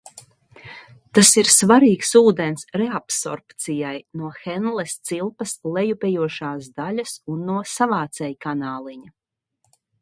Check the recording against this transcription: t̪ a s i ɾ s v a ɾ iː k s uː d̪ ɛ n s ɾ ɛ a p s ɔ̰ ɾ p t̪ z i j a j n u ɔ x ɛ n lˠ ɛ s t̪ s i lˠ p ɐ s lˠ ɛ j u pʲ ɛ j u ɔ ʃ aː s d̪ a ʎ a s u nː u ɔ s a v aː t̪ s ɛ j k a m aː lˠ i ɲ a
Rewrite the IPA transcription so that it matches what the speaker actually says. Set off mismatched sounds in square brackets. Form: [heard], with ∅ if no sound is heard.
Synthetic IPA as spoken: t̪ a s i ɾ s v a ɾ iː k s uː d̪ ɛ n s ɾ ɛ a p s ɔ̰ ɾ p t̪ [s] i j a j n u ɔ x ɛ n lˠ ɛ s t̪ s i lˠ p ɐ s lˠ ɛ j u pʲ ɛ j u ɔ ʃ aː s d̪ a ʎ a s u nː u ɔ s a v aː t̪ s ɛ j k a [n] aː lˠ i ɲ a